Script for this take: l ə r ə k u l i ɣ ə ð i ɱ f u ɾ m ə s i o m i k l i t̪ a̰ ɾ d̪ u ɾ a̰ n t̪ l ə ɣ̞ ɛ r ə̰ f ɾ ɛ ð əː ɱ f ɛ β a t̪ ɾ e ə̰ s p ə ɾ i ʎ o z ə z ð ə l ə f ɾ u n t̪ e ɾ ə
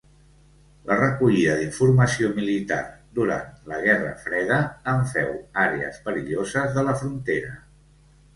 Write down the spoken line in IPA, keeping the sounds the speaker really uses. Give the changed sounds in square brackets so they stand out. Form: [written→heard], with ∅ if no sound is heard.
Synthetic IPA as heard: l ə r ə k u [l→ʎ] i [ɣ→ð] ə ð i ɱ f u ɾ m ə s i o m i [k→∅] l i t̪ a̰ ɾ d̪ u ɾ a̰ n t̪ l ə ɣ̞ ɛ r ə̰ f ɾ ɛ ð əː ɱ f ɛ [β→w] a [t̪→∅] ɾ e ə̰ s p ə ɾ i ʎ o z ə z ð ə l ə f ɾ u n t̪ e ɾ ə